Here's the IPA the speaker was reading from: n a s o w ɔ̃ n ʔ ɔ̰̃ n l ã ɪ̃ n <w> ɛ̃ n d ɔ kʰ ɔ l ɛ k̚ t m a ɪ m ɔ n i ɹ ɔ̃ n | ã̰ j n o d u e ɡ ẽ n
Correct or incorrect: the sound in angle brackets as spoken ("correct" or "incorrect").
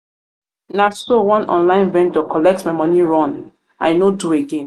incorrect